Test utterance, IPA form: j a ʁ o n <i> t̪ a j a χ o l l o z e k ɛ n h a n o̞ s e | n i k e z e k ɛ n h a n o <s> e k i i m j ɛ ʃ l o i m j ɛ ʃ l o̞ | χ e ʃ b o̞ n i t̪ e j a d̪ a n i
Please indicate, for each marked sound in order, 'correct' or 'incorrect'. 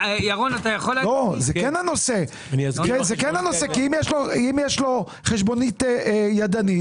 incorrect: a, correct

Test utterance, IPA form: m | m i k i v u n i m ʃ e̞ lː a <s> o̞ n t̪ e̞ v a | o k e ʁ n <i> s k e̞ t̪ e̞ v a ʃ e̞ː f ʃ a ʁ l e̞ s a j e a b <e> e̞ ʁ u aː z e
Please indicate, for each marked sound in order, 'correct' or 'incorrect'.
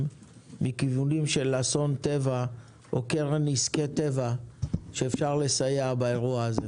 correct, correct, incorrect: a

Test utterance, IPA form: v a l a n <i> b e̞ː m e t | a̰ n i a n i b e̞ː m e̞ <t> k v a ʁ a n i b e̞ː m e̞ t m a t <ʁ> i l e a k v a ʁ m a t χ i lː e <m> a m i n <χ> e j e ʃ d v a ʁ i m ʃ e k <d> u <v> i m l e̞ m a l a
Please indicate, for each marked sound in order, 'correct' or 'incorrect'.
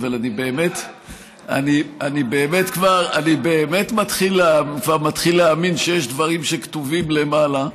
correct, correct, incorrect: χ, incorrect: none, incorrect: ʃ, incorrect: t, correct

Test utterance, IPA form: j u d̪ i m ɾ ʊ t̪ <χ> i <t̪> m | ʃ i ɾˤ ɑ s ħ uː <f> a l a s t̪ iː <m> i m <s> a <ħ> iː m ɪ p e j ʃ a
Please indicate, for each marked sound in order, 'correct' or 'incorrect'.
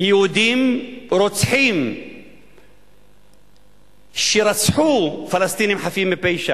incorrect: ħ, incorrect: none, correct, incorrect: n, incorrect: ħ, incorrect: f

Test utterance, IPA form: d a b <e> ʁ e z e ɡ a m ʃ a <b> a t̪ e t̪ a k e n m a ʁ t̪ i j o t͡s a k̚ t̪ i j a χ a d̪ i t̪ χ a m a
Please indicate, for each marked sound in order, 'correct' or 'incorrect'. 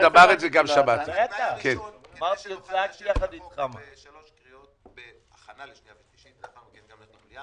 incorrect: a, correct

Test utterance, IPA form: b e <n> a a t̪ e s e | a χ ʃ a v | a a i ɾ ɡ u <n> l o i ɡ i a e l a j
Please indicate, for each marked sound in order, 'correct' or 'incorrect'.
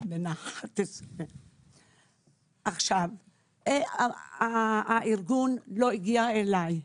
correct, correct

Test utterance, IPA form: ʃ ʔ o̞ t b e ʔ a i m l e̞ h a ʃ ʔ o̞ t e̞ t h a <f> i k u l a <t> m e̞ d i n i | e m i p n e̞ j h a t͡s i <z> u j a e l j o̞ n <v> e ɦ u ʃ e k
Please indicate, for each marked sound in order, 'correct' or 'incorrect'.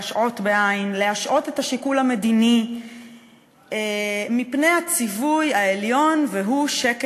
incorrect: ʃ, incorrect: none, incorrect: v, correct

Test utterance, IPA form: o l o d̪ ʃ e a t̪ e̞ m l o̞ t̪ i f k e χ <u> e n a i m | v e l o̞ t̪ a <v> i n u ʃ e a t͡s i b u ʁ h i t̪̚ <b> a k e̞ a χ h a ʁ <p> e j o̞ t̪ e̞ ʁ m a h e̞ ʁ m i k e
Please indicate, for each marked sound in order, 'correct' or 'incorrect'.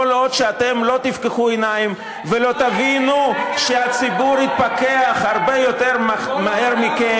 correct, correct, incorrect: p, incorrect: b

